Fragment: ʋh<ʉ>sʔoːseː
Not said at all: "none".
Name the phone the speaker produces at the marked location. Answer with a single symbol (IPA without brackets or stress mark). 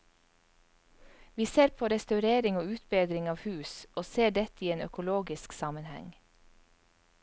ʉː